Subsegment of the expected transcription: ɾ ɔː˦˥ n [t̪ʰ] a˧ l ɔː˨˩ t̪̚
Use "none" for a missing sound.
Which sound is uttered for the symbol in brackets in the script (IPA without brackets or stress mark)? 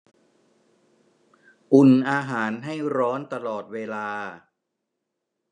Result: t̪